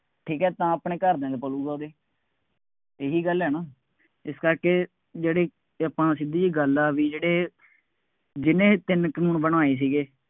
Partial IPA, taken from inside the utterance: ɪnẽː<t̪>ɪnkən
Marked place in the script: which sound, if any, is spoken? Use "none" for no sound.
t̪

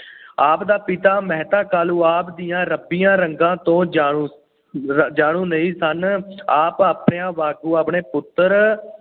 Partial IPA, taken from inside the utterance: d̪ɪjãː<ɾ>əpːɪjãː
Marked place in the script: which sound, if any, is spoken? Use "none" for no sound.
ɾ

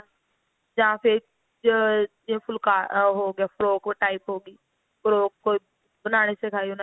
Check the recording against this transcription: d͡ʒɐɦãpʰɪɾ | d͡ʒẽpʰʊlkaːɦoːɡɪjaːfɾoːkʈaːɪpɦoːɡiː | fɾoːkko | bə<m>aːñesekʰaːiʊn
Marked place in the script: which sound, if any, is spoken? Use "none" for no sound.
n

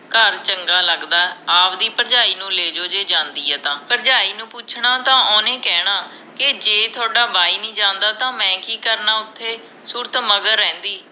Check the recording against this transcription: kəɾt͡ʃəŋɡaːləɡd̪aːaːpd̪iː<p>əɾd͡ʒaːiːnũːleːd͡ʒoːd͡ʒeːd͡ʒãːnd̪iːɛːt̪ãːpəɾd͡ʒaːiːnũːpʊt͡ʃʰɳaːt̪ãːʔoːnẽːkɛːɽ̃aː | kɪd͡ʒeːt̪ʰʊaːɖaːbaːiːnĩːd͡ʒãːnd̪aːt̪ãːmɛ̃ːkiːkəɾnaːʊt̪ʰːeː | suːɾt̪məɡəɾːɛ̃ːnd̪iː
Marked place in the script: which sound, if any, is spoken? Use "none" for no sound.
p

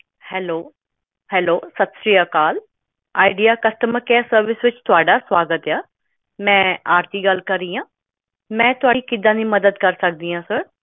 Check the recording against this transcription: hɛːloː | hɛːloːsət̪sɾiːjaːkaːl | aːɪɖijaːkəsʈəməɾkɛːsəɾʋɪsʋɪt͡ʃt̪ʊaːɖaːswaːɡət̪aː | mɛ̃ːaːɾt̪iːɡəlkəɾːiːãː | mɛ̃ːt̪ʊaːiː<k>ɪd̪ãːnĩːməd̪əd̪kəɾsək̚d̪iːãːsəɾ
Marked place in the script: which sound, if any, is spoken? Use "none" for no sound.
k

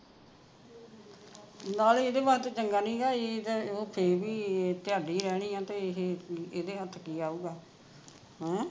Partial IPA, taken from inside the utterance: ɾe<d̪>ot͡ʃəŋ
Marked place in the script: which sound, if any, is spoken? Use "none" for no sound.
t̪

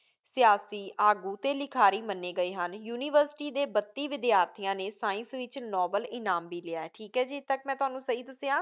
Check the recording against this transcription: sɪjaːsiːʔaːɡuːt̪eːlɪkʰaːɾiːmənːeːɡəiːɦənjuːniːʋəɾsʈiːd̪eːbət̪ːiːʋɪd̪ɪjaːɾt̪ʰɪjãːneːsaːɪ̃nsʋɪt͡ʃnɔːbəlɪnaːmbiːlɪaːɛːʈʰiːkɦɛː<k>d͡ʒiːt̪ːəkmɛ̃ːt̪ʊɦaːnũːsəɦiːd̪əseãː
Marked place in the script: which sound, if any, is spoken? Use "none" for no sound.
none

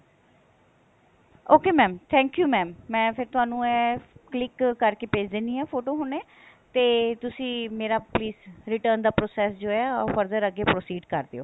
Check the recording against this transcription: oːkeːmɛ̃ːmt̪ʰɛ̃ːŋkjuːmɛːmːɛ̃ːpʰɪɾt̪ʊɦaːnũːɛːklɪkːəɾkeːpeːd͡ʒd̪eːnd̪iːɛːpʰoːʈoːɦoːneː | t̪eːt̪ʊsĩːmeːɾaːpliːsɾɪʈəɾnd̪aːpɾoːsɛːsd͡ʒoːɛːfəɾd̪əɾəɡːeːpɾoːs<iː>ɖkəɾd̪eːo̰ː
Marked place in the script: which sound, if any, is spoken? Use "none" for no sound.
iː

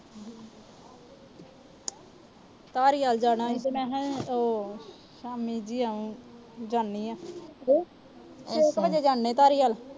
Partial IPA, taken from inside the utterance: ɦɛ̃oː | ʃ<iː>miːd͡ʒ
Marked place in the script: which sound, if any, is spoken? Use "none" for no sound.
aː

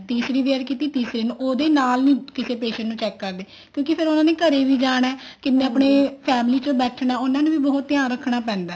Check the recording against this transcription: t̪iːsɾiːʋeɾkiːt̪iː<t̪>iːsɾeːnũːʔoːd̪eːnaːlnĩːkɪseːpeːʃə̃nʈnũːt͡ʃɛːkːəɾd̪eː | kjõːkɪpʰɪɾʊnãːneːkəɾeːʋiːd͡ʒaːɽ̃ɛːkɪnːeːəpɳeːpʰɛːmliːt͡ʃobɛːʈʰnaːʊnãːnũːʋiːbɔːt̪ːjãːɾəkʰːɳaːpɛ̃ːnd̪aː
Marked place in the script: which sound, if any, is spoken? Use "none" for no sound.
t̪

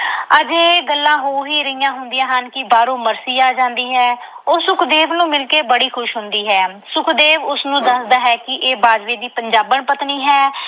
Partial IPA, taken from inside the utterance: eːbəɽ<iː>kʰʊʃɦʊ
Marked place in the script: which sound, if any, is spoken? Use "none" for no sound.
iː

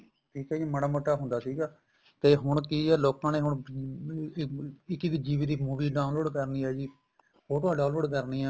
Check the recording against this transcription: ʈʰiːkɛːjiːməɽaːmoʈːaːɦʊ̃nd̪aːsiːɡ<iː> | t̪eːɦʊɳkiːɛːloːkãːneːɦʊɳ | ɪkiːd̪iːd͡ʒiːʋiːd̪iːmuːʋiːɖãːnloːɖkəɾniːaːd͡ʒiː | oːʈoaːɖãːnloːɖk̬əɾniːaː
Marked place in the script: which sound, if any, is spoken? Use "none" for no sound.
aː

